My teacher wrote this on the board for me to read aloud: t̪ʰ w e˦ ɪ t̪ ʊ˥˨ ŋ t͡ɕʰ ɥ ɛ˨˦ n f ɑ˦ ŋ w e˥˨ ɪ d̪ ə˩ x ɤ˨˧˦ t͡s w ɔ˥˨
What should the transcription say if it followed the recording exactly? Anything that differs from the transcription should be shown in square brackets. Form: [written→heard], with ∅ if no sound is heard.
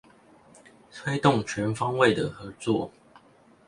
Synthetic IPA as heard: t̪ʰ w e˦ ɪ t̪ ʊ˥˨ ŋ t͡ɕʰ ɥ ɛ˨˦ n f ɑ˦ ŋ w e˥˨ ɪ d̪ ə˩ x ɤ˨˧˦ t͡s w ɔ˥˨